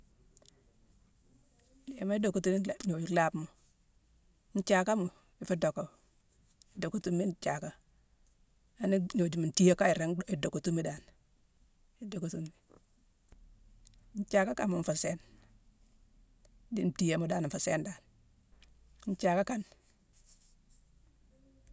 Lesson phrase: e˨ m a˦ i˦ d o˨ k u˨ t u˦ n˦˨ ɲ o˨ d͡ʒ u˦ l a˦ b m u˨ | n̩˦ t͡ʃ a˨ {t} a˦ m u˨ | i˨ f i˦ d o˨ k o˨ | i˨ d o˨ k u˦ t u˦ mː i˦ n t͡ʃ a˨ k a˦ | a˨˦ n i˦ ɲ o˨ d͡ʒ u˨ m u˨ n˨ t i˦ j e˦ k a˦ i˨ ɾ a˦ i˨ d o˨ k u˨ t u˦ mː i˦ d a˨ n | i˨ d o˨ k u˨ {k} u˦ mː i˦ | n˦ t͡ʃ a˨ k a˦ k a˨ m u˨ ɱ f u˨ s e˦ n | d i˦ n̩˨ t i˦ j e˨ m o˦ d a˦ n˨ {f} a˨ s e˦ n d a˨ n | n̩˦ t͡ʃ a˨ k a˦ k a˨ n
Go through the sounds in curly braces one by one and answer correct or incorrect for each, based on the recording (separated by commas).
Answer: incorrect, incorrect, correct